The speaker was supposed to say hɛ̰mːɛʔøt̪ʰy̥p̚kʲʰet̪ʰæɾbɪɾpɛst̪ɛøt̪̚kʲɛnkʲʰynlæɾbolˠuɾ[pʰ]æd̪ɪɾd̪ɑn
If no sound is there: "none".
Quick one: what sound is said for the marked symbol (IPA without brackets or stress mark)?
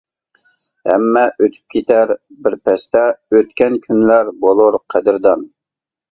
qʰ